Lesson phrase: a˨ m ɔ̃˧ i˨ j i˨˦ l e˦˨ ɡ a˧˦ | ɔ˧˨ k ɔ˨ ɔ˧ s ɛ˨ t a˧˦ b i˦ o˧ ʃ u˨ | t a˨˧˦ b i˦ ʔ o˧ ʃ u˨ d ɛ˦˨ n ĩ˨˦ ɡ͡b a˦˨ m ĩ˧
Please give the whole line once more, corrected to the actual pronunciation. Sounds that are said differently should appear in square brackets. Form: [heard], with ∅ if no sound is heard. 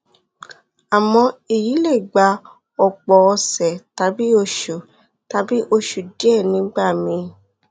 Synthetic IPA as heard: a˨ m ɔ̃˧ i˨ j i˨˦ l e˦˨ [ɡ͡b] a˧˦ | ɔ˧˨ [k͡p] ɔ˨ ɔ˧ s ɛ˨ t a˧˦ b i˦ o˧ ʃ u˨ | t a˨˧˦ b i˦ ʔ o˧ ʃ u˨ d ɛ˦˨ n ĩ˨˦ ɡ͡b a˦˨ m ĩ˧